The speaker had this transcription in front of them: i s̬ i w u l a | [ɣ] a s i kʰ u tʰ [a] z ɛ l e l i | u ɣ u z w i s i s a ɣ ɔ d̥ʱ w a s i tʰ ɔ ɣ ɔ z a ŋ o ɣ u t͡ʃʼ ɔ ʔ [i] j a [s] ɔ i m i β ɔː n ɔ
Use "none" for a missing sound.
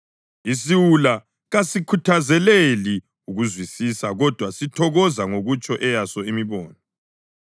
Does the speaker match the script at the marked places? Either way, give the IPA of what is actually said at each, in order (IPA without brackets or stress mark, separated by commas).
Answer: ɣ, a, ɛ, s